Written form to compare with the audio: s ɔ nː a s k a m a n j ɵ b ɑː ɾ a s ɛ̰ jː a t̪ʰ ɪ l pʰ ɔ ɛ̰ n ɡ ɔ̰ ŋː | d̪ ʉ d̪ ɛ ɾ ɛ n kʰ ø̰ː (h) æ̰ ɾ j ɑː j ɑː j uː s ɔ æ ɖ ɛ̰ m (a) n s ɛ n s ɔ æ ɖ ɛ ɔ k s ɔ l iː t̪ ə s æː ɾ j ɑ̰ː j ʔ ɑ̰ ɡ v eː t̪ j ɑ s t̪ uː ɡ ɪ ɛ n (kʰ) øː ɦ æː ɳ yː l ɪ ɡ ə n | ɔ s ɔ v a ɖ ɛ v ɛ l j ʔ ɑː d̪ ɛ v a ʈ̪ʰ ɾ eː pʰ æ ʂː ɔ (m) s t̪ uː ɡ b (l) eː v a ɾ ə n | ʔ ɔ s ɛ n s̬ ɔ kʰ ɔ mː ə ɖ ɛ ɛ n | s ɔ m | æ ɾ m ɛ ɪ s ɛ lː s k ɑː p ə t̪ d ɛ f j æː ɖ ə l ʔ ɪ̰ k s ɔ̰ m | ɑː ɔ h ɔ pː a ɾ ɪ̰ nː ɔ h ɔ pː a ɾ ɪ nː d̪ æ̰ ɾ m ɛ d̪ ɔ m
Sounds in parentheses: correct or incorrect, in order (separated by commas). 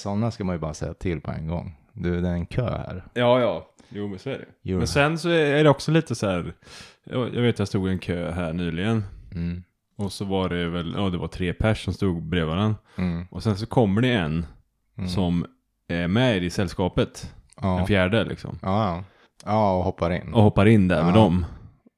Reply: correct, incorrect, correct, correct, incorrect